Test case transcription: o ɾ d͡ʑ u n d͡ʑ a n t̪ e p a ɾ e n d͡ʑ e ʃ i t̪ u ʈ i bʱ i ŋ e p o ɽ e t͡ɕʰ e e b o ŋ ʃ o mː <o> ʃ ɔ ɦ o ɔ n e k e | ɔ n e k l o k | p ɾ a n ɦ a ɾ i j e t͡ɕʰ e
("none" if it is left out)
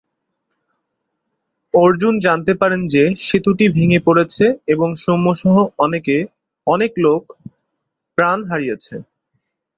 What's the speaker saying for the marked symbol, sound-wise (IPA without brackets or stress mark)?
o